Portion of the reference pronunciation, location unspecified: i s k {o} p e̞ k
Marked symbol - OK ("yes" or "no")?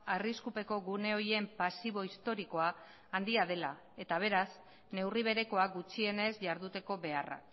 no